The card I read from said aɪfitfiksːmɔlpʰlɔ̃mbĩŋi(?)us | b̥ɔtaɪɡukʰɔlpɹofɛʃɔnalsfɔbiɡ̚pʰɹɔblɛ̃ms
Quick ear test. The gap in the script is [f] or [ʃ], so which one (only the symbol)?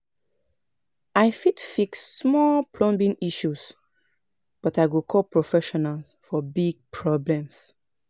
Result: ʃ